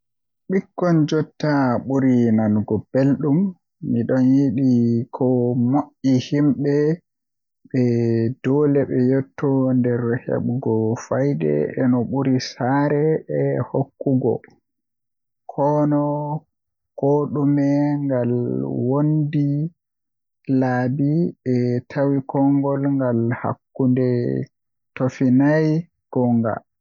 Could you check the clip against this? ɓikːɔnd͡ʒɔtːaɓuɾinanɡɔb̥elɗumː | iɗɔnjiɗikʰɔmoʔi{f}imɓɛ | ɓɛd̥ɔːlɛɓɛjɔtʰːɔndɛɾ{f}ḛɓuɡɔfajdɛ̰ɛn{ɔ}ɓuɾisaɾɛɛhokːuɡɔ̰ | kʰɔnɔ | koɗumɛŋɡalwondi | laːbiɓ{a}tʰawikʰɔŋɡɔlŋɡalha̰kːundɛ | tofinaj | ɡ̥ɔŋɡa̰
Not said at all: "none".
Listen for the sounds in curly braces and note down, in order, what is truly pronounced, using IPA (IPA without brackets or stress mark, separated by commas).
h, h, ɔ, ɛ